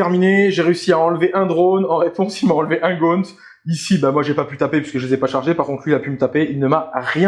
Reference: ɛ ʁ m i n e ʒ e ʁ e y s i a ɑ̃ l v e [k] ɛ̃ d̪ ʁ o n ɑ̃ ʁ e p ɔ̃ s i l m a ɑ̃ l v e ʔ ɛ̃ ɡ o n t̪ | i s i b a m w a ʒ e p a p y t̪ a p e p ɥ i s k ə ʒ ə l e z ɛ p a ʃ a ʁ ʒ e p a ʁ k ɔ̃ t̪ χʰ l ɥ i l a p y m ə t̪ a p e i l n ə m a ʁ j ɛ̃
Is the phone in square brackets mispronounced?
yes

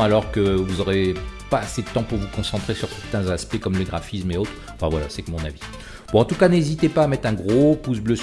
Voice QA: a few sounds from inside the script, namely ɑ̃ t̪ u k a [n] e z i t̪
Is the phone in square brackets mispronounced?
no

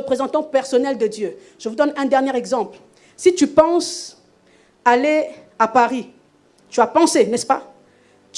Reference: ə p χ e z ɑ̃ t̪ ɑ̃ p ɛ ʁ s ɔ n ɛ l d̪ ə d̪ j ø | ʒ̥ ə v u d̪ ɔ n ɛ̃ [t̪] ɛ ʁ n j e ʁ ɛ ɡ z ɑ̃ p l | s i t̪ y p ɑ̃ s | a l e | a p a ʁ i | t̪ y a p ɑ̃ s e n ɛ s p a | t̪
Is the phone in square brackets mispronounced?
yes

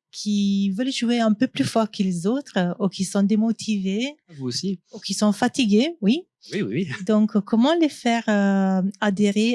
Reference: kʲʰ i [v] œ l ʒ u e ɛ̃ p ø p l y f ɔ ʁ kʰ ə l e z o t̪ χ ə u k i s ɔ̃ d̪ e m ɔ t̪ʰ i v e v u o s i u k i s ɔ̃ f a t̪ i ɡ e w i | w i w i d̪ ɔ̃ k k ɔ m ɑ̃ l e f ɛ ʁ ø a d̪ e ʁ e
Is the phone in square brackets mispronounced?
no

